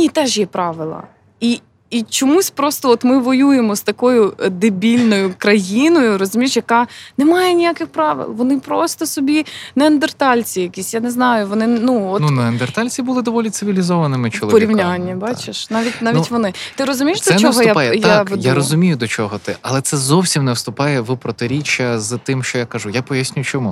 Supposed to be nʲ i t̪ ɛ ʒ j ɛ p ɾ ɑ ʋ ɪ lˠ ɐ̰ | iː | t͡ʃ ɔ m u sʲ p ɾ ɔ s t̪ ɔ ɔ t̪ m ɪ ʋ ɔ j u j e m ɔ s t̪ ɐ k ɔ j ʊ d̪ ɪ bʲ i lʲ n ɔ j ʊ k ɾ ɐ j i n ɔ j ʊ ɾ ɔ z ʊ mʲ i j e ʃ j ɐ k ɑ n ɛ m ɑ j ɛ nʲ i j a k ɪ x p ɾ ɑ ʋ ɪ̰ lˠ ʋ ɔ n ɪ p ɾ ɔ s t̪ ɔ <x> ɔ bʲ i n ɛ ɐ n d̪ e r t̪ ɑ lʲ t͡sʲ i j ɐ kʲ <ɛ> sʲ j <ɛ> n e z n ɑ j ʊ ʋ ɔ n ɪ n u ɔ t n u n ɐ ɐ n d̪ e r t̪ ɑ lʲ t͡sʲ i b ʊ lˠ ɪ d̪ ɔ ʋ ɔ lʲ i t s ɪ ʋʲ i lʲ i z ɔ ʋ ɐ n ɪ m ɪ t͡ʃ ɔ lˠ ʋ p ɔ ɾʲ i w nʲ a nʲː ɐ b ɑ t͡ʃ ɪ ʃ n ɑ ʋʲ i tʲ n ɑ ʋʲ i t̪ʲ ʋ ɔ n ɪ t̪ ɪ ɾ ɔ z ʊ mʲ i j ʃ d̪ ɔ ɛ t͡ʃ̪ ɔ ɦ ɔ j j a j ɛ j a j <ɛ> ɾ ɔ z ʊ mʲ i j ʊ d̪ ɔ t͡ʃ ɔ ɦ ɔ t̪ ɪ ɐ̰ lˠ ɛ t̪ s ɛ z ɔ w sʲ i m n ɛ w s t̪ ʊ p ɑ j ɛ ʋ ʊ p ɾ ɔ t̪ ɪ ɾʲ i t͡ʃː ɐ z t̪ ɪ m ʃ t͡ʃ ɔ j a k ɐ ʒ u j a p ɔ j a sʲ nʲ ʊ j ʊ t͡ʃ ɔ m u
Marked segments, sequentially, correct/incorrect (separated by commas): incorrect, incorrect, incorrect, incorrect